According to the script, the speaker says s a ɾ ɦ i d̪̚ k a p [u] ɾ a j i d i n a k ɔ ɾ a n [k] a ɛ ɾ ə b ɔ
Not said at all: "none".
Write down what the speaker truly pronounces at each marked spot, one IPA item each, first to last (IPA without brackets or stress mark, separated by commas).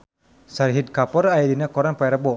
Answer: ɔ, p